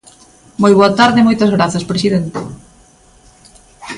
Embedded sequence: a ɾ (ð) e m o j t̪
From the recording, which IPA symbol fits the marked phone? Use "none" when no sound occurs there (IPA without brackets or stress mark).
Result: ð